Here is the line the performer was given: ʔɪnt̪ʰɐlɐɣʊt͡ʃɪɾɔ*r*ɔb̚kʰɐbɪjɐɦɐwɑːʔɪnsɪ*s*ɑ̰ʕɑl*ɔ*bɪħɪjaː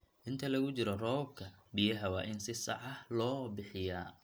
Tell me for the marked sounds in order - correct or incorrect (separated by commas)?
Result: correct, correct, incorrect